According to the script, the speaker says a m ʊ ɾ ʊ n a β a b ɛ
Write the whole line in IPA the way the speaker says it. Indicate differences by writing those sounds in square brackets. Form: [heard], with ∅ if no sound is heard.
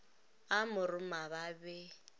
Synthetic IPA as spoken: a m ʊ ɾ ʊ [m] a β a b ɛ